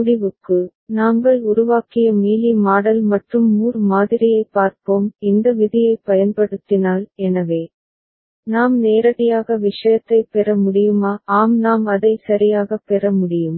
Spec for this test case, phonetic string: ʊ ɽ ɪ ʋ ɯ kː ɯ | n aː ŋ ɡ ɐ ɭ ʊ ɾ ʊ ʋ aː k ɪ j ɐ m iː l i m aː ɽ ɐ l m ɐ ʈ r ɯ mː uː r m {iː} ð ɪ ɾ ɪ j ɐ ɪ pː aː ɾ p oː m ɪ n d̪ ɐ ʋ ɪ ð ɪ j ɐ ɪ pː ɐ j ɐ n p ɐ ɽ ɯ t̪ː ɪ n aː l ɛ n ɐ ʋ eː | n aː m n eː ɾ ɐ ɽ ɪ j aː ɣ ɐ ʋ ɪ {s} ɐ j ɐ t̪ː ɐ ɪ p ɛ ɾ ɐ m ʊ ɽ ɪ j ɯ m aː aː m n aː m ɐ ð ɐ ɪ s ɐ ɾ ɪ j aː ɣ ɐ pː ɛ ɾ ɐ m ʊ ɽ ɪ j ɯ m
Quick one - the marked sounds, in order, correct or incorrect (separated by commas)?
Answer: incorrect, incorrect